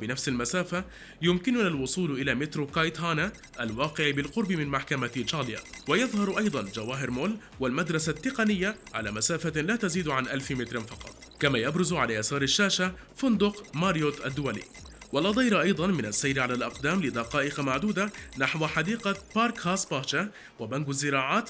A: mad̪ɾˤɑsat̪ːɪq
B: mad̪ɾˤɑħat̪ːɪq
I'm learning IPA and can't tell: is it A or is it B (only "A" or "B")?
A